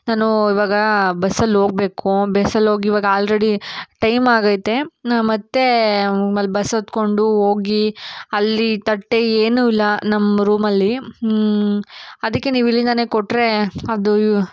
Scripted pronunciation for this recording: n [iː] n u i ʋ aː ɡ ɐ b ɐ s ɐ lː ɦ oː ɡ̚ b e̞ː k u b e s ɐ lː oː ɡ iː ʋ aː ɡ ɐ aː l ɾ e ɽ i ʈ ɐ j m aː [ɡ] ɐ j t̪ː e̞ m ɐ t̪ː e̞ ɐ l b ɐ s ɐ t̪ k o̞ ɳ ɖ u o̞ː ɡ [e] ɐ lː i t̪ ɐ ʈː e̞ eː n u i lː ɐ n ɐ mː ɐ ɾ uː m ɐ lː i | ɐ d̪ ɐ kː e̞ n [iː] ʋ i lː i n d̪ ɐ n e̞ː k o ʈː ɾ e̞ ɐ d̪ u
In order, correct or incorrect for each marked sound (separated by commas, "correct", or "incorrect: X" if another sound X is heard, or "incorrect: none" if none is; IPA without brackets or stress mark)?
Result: incorrect: aː, correct, incorrect: i, correct